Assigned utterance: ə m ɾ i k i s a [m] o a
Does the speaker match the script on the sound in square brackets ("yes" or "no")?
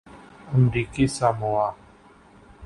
yes